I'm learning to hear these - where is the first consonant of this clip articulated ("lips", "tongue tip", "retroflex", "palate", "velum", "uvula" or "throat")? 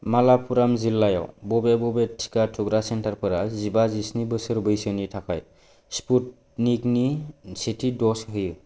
lips